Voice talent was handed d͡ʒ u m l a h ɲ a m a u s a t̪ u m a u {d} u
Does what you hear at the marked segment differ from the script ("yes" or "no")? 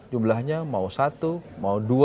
no